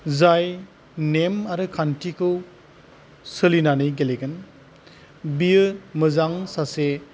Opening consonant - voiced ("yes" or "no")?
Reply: yes